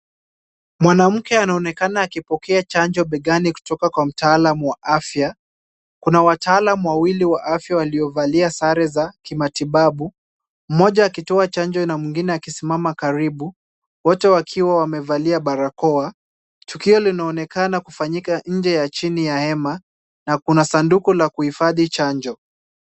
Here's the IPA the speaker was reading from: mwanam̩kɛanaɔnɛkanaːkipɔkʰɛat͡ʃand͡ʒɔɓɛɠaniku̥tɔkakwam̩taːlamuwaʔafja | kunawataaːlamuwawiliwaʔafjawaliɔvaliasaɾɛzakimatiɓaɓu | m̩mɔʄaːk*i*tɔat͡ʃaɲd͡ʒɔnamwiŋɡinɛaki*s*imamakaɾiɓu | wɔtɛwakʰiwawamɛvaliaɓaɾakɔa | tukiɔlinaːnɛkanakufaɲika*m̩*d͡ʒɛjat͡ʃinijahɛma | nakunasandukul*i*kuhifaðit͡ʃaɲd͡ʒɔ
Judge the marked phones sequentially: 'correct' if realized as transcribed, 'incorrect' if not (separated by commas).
correct, correct, incorrect, incorrect